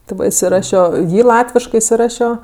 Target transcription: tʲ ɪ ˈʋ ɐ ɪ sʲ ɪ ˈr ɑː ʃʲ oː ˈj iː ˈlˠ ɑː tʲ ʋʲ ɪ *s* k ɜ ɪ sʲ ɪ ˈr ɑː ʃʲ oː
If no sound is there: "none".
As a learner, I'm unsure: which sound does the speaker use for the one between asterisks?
ʃ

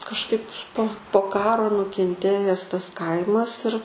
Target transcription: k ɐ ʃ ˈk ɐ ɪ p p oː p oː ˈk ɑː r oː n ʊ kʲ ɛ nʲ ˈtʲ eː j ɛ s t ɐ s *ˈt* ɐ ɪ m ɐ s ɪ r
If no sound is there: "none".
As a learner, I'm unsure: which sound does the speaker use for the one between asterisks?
k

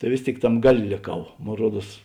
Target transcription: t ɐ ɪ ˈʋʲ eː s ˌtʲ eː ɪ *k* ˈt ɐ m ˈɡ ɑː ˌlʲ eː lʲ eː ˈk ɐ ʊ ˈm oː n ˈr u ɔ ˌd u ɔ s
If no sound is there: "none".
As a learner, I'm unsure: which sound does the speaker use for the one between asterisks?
k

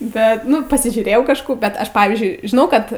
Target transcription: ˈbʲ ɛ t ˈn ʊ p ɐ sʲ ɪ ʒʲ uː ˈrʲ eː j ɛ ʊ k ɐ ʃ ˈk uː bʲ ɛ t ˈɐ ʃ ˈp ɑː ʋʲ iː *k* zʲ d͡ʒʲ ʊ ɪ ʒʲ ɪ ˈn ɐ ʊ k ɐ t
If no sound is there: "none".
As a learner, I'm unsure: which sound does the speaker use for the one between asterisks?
none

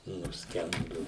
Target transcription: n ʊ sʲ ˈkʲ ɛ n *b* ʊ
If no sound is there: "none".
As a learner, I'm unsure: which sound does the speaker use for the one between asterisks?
d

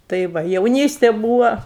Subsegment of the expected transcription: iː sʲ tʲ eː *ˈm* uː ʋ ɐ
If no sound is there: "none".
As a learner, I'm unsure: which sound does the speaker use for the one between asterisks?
b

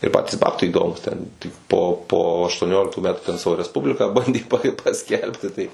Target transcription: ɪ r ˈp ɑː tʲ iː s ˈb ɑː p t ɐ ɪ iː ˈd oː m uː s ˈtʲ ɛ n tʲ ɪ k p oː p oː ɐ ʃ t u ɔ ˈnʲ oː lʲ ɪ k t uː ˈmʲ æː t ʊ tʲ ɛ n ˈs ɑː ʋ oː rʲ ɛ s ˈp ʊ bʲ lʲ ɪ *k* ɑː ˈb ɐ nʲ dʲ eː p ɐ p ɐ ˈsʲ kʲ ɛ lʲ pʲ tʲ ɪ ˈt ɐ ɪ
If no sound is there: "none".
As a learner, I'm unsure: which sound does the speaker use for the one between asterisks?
k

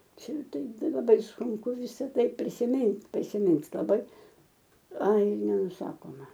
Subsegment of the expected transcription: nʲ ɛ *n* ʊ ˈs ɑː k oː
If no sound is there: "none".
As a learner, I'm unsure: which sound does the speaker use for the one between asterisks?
n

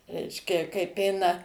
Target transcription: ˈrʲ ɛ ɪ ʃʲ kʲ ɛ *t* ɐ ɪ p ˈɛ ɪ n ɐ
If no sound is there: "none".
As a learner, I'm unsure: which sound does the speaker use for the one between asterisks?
k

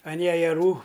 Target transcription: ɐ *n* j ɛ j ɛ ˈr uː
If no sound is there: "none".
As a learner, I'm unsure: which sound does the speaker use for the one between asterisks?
n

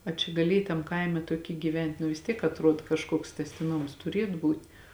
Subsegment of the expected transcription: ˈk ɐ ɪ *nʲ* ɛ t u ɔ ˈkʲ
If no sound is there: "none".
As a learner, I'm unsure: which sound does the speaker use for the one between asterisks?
mʲ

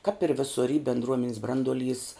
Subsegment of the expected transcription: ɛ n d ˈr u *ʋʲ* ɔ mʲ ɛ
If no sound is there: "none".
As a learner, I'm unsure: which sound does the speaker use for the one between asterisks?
none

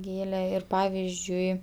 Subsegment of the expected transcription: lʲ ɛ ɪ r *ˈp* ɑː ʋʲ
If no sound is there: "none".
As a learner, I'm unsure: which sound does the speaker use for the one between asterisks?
p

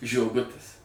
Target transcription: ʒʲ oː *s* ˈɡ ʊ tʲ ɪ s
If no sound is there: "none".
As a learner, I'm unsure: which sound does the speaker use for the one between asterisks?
none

